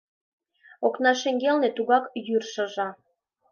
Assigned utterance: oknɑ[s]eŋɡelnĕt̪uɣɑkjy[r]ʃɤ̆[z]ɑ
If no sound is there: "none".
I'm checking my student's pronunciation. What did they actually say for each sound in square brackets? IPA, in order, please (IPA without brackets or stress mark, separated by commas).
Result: ʃ, r, ʒ